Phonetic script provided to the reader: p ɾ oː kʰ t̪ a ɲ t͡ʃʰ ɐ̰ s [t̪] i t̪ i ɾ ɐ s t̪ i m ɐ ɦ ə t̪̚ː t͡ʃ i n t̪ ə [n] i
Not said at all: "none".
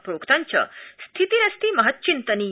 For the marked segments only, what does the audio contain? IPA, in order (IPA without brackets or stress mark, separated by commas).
t̪ʰ, n